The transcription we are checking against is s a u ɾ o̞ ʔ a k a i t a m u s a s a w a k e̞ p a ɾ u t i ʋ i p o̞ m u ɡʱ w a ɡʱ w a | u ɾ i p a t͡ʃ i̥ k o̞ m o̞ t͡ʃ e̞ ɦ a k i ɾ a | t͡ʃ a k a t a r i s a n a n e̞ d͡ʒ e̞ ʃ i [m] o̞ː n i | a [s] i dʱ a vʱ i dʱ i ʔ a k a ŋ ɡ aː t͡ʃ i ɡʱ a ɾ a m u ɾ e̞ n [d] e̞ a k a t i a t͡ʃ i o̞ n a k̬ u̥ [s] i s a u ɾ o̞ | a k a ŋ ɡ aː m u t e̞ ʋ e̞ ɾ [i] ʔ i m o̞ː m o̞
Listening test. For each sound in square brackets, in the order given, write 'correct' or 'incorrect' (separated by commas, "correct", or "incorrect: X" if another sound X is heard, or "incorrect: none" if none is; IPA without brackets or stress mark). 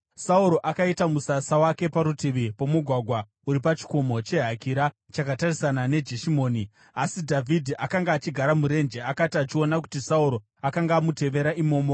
correct, correct, incorrect: d͡ʒ, incorrect: t, incorrect: a